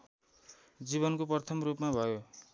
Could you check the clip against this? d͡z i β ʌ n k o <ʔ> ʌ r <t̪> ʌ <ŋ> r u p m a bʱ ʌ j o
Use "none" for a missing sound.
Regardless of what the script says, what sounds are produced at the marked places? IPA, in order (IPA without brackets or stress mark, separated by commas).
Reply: p, t̪ʰ, m